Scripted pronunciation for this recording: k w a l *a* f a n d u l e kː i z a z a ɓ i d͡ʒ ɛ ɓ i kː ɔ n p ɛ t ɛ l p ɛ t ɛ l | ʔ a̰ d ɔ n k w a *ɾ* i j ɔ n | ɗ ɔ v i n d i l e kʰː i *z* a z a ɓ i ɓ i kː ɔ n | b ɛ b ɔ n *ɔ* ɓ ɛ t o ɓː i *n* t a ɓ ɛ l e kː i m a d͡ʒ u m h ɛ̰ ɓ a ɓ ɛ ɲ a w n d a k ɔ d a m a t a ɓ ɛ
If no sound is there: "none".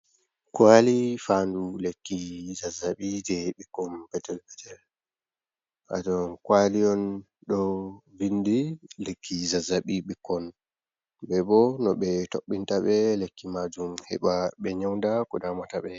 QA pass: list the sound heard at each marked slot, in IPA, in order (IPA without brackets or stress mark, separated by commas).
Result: i, l, z, ɔ, n